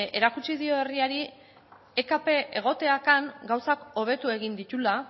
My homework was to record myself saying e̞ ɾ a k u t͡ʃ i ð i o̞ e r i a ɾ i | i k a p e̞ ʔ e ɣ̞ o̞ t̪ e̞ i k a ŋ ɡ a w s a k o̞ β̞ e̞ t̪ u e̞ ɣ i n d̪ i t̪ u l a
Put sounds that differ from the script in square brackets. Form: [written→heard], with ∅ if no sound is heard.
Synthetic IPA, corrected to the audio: e̞ ɾ a k u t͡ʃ i ð i o̞ e r i a ɾ i | [i→e] k a p e̞ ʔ e ɣ̞ o̞ t̪ e̞ [i→a] k a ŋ ɡ a w s a k o̞ β̞ e̞ t̪ u e̞ ɣ i n d̪ i t̪ u l a